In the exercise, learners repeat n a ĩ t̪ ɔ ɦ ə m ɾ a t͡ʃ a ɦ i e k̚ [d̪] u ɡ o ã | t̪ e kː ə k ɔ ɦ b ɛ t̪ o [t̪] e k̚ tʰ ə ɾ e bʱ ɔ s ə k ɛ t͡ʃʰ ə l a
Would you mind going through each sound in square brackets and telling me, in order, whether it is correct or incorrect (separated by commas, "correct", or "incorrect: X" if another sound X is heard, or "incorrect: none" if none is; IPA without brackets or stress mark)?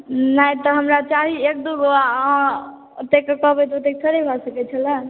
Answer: correct, correct